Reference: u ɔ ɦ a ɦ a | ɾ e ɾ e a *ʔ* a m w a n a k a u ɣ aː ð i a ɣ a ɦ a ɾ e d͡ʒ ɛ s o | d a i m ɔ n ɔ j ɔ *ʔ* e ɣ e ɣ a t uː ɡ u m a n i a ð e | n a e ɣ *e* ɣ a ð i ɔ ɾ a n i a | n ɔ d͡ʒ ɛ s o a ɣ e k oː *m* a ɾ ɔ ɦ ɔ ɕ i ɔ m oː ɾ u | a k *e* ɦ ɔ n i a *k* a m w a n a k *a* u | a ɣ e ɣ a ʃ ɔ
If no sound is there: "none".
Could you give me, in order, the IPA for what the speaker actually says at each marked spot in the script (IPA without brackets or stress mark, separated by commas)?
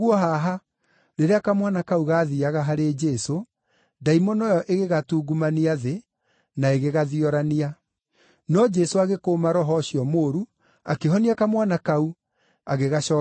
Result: k, ʔ, e, m, e, k, a